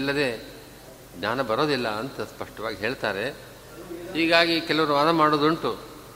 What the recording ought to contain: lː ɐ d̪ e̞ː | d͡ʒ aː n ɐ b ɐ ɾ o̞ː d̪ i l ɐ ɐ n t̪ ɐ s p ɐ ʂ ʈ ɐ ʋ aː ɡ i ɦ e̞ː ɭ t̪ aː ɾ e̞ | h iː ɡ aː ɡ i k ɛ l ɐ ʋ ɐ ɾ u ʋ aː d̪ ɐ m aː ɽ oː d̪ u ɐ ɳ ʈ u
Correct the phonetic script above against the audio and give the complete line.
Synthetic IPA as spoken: lː ɐ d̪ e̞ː | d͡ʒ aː n ɐ b ɐ ɾ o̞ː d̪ i lː ɐ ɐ n t̪ ɐ s p ɐ ʂ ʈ ɐ ʋ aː ɡ i ɦ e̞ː ɭ t̪ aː ɾ e̞ | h iː ɡ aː ɡ i k ɛ l ɐ ʋ ɐ ɾ u ʋ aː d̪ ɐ m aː ɽ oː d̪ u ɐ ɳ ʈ u